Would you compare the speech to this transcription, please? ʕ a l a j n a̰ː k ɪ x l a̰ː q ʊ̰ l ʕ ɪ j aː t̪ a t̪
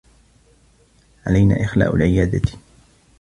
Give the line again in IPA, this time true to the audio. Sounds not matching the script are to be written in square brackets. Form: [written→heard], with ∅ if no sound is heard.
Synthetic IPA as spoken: ʕ a l a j n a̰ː [k→ʔ] ɪ x l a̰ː [q→ʔ] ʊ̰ l ʕ ɪ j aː [t̪→d̪] a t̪